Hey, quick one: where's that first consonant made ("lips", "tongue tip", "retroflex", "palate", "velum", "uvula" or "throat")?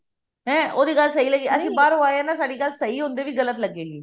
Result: throat